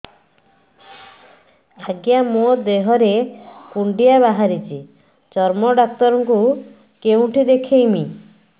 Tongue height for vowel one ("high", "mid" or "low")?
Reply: low